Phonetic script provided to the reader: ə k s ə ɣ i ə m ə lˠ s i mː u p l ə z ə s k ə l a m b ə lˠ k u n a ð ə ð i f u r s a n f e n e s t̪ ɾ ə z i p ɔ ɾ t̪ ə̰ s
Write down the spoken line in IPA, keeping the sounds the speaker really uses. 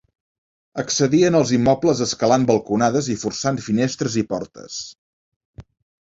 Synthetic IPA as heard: ə k s ə ð i ə n ə lˠ z i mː ɔ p l ə z ə s k ə l a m b ə lˠ k u n a ð ə z i f u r s a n f i n e s t̪ ɾ ə z i p ɔ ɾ t̪ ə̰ s